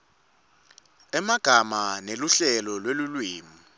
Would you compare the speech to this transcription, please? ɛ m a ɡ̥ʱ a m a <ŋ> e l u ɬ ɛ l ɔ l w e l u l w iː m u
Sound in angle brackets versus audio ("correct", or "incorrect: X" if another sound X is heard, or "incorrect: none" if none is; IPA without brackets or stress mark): incorrect: n